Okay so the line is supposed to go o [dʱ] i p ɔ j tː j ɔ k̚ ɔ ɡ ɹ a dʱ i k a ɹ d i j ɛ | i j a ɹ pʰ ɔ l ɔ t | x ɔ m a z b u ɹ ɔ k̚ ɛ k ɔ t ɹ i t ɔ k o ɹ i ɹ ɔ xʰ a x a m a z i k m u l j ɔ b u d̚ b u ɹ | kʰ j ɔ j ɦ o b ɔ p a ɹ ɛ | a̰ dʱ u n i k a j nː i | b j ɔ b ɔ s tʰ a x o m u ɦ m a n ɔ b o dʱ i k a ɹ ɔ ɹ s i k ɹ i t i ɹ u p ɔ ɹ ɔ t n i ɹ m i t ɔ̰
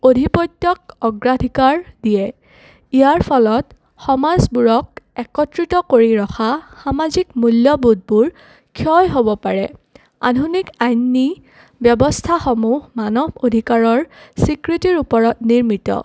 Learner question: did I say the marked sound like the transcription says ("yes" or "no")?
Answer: yes